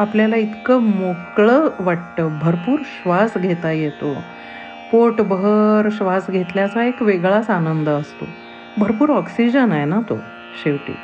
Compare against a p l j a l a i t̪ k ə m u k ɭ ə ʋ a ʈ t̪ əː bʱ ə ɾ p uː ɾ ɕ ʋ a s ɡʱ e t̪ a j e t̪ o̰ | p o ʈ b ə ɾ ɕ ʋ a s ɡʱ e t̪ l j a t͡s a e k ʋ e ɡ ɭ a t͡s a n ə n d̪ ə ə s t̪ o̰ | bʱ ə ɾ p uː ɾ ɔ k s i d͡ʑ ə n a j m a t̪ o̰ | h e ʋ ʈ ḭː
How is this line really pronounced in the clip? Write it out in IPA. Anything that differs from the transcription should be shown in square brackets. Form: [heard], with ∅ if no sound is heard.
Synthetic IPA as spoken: a p l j a l a i t̪ k ə m [o] k ɭ ə ʋ a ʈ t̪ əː bʱ ə ɾ p uː ɾ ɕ ʋ a s ɡʱ e t̪ a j e t̪ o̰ | p o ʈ b ə ɾ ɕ ʋ a s ɡʱ e t̪ l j a t͡s a e k ʋ e ɡ ɭ a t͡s a n ə n d̪ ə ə s t̪ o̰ | bʱ ə ɾ p uː ɾ ɔ k s i d͡ʑ ə n a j [n] a t̪ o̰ | [ɕ] e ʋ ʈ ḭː